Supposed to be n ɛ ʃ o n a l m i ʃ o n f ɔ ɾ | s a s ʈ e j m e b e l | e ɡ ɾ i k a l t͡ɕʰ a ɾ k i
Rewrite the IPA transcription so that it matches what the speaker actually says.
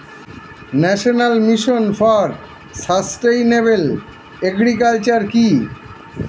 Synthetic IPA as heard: n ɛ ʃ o n a l m i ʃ o n f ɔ ɾ | s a s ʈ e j n e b e l | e ɡ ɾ i k a l t͡ɕ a ɾ k i